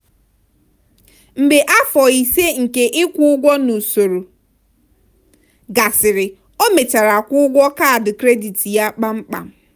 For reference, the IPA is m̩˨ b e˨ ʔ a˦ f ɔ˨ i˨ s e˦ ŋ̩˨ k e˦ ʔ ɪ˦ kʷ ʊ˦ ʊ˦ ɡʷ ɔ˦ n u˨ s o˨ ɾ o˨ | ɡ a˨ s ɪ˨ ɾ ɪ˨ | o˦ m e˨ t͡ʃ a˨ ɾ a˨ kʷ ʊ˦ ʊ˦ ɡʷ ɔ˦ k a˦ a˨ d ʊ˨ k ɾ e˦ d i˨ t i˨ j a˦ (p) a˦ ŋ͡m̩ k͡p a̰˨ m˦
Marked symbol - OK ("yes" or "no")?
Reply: no